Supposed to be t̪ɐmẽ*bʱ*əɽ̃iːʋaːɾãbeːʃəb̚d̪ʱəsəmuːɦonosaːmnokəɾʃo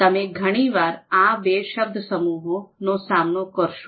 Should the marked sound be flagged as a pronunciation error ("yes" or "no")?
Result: yes